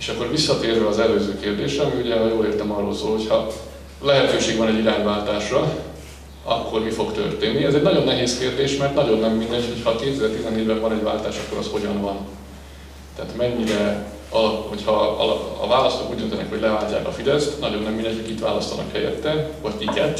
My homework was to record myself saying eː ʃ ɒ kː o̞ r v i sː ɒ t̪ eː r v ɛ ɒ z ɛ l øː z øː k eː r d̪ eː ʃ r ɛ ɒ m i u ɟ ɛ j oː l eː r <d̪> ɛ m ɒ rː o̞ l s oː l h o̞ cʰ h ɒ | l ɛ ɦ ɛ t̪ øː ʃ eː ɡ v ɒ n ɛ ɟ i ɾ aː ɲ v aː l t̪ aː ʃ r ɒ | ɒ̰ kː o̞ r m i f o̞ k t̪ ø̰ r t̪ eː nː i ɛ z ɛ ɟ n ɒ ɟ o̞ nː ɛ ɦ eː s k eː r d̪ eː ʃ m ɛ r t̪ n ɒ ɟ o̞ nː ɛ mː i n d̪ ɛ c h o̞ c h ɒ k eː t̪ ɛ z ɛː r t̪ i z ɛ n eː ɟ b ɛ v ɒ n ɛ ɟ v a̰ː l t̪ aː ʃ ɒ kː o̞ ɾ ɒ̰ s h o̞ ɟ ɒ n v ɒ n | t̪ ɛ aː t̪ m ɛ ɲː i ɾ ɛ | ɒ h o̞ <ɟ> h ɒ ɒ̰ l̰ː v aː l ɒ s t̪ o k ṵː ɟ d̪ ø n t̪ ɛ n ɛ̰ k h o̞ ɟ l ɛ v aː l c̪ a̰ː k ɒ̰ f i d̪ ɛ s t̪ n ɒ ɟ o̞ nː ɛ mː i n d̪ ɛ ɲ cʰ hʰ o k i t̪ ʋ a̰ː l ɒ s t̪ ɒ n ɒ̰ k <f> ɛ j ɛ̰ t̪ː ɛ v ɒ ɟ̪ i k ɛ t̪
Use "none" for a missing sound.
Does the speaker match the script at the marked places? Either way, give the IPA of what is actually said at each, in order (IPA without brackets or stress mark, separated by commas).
t̪, c, h